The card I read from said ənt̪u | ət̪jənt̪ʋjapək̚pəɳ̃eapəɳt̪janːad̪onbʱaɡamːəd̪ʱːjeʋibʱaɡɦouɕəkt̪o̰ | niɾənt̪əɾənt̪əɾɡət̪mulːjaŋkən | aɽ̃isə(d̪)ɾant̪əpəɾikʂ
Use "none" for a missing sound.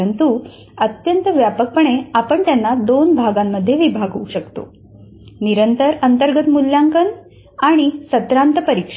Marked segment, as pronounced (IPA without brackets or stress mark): t̪